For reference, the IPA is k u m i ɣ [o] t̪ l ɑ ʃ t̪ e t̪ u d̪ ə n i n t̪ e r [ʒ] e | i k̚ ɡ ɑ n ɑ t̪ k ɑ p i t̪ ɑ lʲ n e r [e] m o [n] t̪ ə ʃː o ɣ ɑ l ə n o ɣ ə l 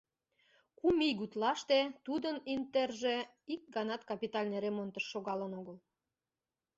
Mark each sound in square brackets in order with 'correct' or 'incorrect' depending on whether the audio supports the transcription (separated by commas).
incorrect, correct, correct, correct